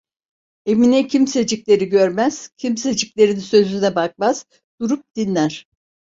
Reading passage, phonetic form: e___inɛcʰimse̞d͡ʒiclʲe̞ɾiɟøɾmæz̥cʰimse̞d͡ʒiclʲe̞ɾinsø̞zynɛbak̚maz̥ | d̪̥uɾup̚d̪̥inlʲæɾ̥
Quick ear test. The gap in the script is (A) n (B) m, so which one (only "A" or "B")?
B